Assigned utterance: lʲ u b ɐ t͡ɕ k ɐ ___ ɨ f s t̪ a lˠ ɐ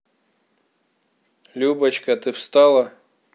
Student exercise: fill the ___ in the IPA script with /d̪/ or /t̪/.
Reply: t̪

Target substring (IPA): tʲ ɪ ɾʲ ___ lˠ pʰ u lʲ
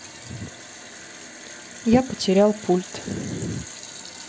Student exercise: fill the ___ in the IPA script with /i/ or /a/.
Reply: a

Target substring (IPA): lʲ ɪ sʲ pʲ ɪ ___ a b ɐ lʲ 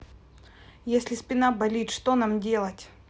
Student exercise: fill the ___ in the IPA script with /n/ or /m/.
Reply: n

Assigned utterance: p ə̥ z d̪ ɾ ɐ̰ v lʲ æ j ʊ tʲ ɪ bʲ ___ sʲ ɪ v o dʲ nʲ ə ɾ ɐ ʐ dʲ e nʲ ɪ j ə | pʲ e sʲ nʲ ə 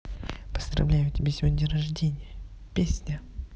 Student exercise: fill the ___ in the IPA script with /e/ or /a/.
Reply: e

